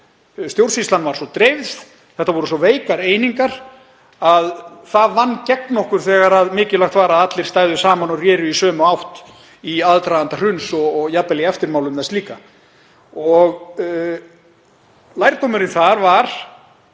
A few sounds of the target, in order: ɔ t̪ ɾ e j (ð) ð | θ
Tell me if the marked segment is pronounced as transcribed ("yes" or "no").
no